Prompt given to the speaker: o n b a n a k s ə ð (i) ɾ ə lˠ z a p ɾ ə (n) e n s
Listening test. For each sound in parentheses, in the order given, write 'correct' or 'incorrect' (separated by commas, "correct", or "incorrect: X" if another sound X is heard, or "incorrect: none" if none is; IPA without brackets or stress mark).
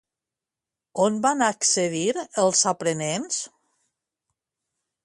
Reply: correct, correct